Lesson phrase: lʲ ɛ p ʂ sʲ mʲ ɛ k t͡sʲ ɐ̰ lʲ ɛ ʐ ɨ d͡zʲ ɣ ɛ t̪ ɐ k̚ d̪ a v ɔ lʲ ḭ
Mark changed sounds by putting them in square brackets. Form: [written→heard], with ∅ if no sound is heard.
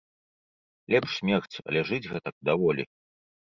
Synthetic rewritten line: lʲ ɛ p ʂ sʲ mʲ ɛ [k→x] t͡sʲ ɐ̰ lʲ ɛ ʐ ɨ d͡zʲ ɣ ɛ t̪ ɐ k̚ d̪ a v ɔ lʲ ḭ

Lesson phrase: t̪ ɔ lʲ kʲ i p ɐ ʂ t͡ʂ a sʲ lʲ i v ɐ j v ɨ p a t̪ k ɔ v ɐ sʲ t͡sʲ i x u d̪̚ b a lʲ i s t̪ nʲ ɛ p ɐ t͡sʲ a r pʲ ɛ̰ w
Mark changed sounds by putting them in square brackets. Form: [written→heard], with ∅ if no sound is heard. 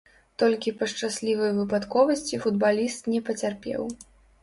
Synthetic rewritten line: t̪ ɔ lʲ kʲ i p ɐ ʂ t͡ʂ a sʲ lʲ i v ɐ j v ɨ p a t̪ k ɔ v ɐ sʲ t͡sʲ i [x→f] u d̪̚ b a lʲ i s t̪ nʲ ɛ p ɐ t͡sʲ a r pʲ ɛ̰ w

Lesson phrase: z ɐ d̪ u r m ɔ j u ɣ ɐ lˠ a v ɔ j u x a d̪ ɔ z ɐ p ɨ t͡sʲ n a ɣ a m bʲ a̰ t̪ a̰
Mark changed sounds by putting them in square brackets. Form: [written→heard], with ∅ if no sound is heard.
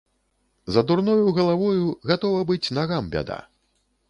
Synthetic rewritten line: z ɐ d̪ u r [m→n] ɔ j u ɣ ɐ lˠ a v ɔ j u [x→ɣ] a [d̪→t̪] ɔ [z→v] ɐ [p→b] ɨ t͡sʲ n a ɣ a m bʲ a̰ [t̪→d̪] a̰

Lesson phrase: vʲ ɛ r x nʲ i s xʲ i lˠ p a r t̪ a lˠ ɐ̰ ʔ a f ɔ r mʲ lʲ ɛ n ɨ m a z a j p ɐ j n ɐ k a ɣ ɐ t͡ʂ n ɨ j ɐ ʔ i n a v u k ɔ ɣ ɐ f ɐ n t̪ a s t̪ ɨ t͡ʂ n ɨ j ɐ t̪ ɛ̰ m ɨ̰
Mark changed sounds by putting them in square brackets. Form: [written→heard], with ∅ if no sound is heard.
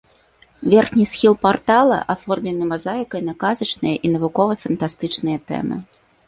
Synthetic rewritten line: vʲ ɛ r x nʲ i s xʲ i lˠ p a r t̪ a lˠ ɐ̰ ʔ a f ɔ r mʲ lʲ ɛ n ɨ m a z a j [p→k] ɐ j n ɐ k a [ɣ→z] ɐ t͡ʂ n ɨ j ɐ ʔ i n [a→ɐ] v u k ɔ [ɣ→v] ɐ f ɐ n t̪ a s t̪ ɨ t͡ʂ n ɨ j ɐ t̪ ɛ̰ m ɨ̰

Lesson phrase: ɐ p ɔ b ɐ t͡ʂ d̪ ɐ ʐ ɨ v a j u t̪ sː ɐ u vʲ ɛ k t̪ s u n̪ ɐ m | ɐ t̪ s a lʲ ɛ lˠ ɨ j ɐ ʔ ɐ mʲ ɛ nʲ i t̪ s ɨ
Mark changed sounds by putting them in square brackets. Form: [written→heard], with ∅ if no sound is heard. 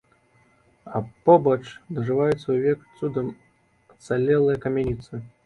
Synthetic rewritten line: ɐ p ɔ b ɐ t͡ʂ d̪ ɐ ʐ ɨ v a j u t̪ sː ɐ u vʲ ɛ k t̪ s u [n̪→d̪] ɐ m | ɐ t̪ s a lʲ ɛ lˠ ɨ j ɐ [ʔ→k] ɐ mʲ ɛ nʲ i t̪ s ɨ

